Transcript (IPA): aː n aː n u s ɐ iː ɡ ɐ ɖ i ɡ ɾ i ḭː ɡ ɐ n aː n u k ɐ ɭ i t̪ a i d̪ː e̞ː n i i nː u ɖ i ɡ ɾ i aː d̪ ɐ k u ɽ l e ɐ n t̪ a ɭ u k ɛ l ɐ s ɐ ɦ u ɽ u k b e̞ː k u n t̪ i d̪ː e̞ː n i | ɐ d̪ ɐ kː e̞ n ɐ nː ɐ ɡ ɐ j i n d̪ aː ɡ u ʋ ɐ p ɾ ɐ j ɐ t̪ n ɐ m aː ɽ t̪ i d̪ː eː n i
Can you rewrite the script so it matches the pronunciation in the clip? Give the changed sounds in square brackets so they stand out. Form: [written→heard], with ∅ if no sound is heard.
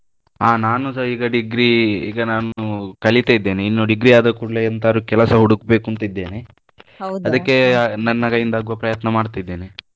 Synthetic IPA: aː n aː n u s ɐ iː ɡ ɐ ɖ i ɡ ɾ i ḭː ɡ ɐ n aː n u k ɐ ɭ i t̪ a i d̪ː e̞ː n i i nː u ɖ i ɡ ɾ i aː d̪ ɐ k u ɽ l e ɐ n t̪ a [ɭ→ɾ] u k ɛ l ɐ s ɐ ɦ u ɽ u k b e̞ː k u n t̪ i d̪ː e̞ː n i | ɐ d̪ ɐ kː e̞ n ɐ nː ɐ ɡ ɐ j i n d̪ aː ɡ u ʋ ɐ p ɾ ɐ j ɐ t̪ n ɐ m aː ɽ t̪ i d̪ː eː n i